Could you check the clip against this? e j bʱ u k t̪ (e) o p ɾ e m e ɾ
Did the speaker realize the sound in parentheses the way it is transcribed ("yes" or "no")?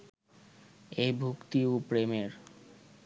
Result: no